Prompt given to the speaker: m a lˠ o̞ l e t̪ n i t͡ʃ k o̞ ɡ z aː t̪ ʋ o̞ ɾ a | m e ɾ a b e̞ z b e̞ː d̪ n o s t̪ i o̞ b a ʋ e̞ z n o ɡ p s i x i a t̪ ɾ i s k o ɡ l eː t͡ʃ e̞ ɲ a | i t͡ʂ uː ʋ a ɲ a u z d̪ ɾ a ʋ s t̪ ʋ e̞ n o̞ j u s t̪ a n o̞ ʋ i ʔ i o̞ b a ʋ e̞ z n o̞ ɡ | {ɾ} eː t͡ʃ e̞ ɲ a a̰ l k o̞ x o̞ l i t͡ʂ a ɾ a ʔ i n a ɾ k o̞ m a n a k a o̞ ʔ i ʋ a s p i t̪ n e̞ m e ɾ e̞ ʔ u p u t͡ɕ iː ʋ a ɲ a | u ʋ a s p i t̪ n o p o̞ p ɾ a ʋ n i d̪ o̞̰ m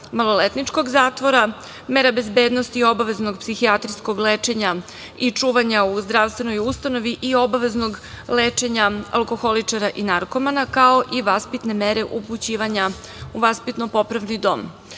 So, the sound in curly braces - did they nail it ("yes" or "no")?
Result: no